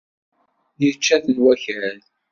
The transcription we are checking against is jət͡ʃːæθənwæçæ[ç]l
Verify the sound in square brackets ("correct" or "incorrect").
incorrect